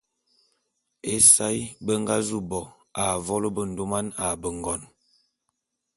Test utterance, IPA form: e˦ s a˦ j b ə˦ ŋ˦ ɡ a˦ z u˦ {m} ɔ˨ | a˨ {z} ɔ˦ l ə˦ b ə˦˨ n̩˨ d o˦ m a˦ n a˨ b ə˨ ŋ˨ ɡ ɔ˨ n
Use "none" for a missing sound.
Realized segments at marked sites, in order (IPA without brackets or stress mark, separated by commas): b, v